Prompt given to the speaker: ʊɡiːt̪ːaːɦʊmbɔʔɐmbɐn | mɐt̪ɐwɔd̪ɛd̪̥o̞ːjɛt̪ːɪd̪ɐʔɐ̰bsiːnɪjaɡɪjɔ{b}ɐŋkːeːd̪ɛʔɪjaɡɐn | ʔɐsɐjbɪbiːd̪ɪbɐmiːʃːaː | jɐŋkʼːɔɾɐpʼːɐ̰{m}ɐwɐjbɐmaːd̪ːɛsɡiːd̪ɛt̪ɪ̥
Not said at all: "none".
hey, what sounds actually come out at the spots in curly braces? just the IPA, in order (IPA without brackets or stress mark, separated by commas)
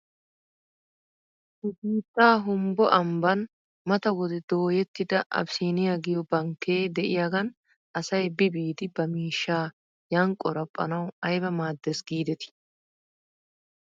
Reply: b, n